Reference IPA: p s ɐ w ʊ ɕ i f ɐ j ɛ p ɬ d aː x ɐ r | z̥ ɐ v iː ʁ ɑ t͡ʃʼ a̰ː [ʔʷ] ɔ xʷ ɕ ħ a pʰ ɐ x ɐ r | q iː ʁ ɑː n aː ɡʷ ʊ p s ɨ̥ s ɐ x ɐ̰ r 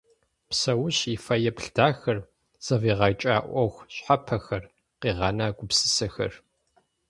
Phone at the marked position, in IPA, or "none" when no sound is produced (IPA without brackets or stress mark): ʔʷ